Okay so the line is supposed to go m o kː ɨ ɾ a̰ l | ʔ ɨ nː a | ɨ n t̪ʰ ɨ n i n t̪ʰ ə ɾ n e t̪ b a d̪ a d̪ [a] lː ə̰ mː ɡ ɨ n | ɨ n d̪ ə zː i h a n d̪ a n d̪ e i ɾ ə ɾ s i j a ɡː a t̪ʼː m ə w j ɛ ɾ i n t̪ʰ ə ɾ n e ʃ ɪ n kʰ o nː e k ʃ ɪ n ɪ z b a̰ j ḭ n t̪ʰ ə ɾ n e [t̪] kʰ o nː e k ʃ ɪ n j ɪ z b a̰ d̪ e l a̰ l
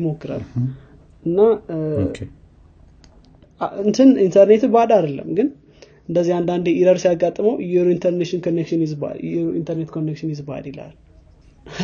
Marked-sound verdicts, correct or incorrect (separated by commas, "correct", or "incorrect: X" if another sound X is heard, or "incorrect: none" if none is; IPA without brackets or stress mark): incorrect: ə, correct